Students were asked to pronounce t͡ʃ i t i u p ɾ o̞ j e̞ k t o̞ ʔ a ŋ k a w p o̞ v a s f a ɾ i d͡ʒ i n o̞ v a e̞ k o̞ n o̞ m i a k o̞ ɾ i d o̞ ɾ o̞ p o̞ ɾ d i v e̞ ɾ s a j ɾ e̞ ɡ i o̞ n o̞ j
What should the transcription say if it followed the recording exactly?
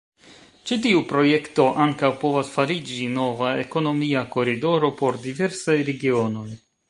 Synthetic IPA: t͡ʃ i t i u p ɾ o̞ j e̞ k t o̞ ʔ a ŋ k a w p o̞ v a s f a ɾ i d͡ʒ i n o̞ v a e̞ k o̞ n o̞ m i a k o̞ ɾ i d o̞ ɾ o̞ p o̞ ɾ d i v e̞ ɾ s a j ɾ e̞ ɡ i o̞ n o̞ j